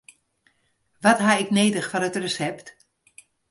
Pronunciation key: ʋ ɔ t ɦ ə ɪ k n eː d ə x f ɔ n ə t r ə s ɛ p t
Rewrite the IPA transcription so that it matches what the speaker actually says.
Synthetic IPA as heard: ʋ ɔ t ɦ a ɪ k n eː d ə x f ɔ n ə t r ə s ɛ p t